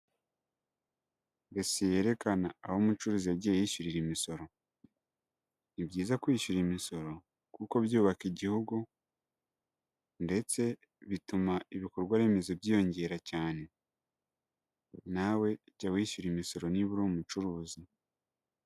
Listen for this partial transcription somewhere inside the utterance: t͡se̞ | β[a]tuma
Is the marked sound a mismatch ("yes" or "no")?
yes